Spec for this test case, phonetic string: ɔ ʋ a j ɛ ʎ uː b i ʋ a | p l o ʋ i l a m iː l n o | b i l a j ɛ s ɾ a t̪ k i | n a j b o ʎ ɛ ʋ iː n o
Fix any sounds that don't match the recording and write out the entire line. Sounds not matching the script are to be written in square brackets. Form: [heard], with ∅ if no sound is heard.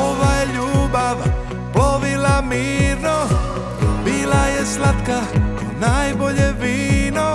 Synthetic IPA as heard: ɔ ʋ a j ɛ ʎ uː b [a] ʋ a | p l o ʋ i l a m iː [ɾ] n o | b i l a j ɛ s [l] a t̪ k [a] | n a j b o ʎ ɛ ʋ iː n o